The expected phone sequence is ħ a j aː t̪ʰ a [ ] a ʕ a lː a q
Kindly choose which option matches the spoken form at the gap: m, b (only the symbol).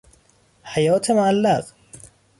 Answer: m